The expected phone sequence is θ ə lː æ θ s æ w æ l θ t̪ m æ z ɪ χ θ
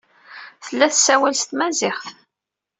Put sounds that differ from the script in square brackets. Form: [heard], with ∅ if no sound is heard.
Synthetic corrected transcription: θ ə lː æ θ s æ w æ l [s] t̪ m æ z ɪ χ θ